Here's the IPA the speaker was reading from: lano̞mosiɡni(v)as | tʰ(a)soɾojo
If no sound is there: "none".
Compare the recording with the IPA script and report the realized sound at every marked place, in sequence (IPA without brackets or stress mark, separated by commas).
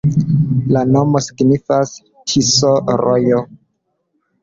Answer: f, i